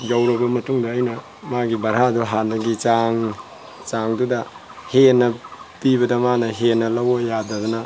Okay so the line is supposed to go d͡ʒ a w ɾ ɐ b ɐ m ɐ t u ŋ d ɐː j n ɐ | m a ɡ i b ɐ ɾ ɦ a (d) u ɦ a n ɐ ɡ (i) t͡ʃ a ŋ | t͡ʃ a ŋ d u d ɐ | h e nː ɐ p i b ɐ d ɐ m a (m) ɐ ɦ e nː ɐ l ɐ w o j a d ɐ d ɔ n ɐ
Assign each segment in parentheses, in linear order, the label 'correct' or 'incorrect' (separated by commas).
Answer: correct, correct, incorrect